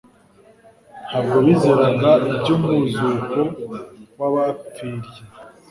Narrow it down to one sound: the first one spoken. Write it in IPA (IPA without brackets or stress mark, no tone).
h